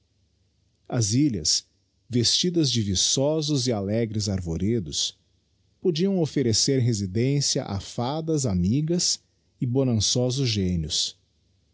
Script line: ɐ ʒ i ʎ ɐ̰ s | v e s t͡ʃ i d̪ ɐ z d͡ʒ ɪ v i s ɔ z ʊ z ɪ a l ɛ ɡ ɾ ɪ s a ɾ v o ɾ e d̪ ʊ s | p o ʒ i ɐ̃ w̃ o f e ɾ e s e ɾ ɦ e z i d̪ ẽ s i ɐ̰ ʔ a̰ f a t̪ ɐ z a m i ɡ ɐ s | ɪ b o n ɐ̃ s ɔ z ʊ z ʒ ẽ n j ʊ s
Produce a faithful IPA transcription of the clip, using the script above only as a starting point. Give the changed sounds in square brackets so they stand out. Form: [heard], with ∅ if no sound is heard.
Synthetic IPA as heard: ɐ [z] i ʎ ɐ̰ s | v e s t͡ʃ i d̪ ɐ z d͡ʒ ɪ v i s ɔ z ʊ z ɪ a l ɛ ɡ ɾ ɪ [z] a ɾ v o ɾ e d̪ ʊ s | p o [d͡ʒ] i ɐ̃ w̃ o f e ɾ e s e ɾ ɦ e z i d̪ ẽ s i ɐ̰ ʔ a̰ f a [d̪] ɐ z a m i ɡ ɐ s | ɪ b o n ɐ̃ s ɔ z ʊ z ʒ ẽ n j ʊ s